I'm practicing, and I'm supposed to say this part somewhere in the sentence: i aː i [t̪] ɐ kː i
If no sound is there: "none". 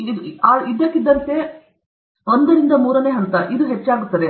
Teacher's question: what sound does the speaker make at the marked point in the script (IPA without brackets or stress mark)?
d̪